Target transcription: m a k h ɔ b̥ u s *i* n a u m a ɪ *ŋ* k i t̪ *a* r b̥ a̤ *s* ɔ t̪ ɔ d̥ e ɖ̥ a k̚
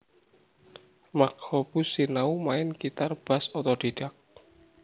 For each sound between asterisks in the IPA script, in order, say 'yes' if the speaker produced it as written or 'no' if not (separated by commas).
yes, no, yes, yes